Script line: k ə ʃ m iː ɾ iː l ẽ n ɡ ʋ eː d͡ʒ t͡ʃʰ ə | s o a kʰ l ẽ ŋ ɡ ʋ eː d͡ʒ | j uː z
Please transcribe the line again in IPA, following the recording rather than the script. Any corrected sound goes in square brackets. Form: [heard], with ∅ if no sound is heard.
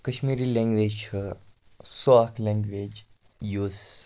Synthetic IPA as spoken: k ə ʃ m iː ɾ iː l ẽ [ŋ] ɡ ʋ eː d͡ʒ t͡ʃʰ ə | s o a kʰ l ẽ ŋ ɡ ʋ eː d͡ʒ | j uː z